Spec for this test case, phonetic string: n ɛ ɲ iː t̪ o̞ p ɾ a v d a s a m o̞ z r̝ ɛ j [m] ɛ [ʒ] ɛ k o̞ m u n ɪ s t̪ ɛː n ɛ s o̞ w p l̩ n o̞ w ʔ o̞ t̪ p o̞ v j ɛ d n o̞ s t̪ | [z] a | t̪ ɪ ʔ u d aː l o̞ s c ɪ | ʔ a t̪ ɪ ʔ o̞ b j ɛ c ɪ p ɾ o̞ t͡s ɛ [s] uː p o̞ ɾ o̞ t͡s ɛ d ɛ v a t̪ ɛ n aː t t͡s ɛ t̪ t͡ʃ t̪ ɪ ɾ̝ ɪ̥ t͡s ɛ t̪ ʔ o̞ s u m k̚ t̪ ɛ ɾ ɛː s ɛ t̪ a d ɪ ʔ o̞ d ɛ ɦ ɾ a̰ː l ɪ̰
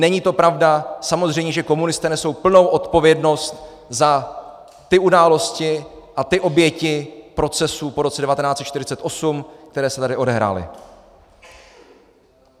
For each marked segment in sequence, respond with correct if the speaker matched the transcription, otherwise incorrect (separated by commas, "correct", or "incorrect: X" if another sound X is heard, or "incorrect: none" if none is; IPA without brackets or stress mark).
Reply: incorrect: ɲ, correct, correct, correct